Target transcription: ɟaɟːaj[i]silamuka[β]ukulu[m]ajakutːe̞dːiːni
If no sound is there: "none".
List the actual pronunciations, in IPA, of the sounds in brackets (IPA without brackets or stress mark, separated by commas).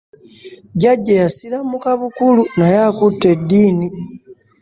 a, β, n